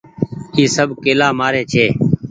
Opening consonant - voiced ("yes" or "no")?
no